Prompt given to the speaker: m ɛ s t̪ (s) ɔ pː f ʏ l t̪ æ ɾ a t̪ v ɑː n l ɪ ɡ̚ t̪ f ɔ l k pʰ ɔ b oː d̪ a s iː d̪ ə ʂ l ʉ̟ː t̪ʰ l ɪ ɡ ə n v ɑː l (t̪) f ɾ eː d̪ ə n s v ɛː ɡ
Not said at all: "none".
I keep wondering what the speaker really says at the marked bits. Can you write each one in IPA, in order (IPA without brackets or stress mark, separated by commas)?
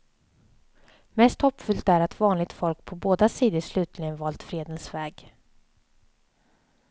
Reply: h, t̪